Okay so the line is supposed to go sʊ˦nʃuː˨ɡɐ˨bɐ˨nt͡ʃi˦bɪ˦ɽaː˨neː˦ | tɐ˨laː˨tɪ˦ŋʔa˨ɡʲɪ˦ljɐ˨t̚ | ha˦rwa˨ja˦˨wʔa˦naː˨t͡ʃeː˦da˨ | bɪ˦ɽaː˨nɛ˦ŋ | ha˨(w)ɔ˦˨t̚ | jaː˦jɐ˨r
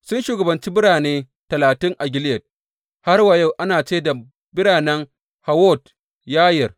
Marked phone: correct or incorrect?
correct